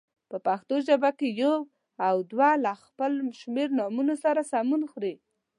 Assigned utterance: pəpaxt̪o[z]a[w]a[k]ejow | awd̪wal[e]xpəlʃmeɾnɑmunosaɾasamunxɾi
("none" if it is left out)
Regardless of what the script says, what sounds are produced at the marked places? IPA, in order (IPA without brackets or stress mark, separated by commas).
ʒ, b, k, a